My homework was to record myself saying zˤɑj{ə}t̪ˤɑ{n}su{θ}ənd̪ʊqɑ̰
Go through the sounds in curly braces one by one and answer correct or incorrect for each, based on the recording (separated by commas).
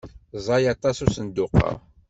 incorrect, incorrect, incorrect